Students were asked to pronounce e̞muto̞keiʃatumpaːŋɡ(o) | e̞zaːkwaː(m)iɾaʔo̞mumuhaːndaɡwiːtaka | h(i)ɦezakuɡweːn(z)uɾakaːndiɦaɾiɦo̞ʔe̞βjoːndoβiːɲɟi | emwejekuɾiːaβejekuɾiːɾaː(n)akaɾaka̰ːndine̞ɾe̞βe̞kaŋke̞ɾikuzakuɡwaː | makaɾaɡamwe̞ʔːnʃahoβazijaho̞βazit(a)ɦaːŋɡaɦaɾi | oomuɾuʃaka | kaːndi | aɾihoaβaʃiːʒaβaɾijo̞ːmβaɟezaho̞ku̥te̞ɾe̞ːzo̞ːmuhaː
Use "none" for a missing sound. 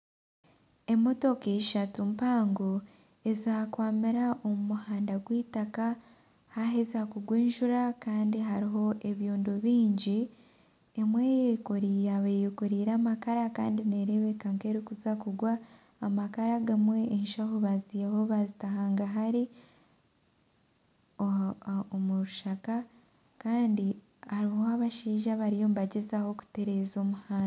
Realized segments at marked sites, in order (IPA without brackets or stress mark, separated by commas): o, m, a, ʒ, m, a